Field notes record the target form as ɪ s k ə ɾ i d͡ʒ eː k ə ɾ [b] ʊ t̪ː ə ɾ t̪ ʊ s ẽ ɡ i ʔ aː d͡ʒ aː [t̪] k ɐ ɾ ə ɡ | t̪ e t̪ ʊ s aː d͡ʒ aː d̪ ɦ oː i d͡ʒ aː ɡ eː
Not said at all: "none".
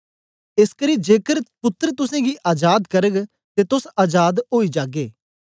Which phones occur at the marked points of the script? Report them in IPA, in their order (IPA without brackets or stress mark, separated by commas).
p, d̪